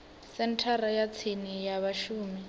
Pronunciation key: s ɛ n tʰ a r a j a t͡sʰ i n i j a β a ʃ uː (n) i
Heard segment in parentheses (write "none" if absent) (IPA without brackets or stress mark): m